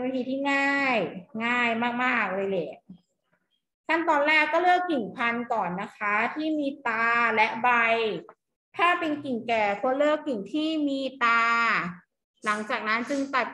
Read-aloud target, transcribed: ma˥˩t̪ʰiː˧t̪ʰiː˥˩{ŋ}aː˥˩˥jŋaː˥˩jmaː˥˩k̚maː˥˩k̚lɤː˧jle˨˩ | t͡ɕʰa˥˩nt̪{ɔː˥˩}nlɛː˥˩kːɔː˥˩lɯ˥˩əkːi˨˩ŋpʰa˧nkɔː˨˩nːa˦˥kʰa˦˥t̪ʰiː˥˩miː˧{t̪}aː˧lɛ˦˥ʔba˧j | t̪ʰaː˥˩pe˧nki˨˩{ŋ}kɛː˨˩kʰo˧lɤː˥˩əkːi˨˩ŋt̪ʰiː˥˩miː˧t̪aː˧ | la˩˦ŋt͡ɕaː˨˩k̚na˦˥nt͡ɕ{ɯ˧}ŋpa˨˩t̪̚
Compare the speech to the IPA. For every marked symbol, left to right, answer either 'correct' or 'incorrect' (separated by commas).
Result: correct, incorrect, correct, correct, correct